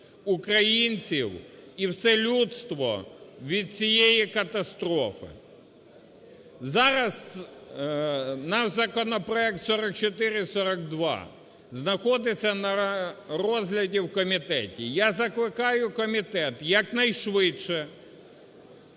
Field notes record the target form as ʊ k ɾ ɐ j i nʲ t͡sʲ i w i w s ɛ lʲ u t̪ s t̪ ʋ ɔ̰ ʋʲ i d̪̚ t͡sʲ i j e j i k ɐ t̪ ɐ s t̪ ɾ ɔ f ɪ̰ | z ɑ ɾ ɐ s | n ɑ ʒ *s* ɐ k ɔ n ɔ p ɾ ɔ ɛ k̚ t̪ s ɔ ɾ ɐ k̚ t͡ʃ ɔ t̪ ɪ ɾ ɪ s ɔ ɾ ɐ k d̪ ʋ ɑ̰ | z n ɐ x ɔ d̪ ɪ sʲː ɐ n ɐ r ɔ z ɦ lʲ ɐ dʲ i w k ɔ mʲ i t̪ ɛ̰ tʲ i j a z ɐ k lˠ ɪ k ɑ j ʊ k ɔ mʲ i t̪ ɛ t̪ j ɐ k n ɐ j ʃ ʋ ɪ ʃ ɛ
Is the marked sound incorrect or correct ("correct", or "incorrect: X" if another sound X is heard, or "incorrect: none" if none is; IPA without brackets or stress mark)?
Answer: incorrect: z